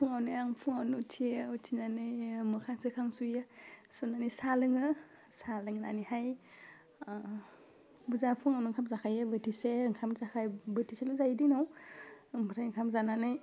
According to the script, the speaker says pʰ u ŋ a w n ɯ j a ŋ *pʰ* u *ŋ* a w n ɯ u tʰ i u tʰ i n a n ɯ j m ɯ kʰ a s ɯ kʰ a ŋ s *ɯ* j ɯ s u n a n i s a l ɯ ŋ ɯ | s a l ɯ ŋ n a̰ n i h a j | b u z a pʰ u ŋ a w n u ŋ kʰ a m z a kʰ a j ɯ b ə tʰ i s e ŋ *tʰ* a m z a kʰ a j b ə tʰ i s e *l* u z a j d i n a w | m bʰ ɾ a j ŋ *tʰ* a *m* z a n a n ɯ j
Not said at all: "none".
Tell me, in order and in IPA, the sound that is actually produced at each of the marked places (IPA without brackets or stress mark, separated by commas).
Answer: pʰ, ŋ, u, kʰ, l, kʰ, m